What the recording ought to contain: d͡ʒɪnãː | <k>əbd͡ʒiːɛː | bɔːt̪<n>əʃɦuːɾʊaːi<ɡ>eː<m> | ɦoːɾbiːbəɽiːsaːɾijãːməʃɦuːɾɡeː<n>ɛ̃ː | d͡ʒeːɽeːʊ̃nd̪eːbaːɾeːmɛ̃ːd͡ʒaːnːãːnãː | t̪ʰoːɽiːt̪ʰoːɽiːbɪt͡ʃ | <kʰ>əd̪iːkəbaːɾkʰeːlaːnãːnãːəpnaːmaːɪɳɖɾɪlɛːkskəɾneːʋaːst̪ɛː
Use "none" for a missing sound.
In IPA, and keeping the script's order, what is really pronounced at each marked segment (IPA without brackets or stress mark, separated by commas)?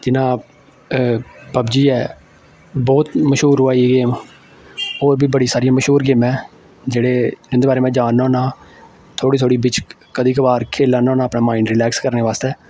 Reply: p, m, ɡ, m, m, k